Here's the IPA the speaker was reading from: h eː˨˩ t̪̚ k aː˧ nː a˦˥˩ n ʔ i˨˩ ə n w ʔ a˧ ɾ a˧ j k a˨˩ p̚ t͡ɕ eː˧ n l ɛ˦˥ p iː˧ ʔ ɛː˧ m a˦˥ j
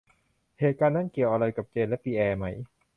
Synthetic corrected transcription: h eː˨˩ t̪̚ k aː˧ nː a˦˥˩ n k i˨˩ ə w ʔ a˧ ɾ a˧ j k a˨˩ p̚ t͡ɕ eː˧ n l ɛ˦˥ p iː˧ ʔ ɛː˧ m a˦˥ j